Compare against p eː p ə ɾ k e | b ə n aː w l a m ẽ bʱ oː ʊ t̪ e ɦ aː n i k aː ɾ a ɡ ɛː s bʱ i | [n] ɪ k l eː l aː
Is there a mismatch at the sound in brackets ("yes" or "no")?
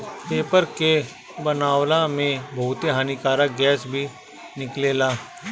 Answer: no